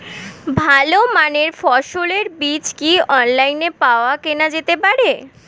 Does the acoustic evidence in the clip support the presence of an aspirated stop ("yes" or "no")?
no